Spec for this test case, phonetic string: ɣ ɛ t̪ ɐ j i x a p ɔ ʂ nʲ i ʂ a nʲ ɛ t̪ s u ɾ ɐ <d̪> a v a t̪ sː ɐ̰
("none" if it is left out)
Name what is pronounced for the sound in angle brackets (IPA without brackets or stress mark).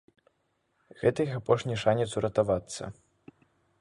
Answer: t̪